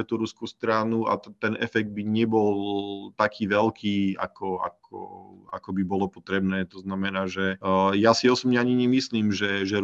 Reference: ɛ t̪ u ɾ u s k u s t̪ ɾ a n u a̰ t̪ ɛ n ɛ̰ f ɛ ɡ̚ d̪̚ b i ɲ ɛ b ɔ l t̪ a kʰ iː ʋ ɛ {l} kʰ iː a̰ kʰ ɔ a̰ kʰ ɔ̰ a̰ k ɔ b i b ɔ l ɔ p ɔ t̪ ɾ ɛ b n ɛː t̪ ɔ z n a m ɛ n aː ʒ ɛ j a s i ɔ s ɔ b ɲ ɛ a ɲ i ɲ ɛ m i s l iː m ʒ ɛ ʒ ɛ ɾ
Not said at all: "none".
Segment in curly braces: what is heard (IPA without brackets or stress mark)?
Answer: l